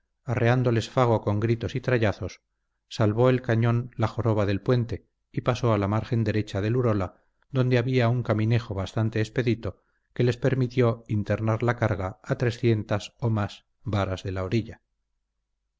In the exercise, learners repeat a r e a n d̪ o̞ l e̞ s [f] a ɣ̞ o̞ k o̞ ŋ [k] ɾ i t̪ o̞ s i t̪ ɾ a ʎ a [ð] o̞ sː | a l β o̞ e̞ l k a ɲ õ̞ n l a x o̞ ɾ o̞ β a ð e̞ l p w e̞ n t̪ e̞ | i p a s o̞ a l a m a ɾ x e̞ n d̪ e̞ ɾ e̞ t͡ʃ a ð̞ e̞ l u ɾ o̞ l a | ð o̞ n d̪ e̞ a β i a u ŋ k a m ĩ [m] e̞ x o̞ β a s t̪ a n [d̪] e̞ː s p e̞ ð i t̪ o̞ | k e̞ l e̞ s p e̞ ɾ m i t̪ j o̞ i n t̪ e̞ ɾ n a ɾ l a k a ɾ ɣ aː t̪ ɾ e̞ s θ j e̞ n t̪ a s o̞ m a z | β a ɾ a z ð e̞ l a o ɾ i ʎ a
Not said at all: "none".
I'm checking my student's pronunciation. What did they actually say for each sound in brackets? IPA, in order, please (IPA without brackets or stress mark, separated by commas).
f, ɡ, θ, n, t̪